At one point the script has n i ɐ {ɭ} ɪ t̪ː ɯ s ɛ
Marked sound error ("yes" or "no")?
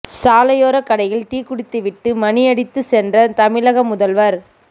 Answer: yes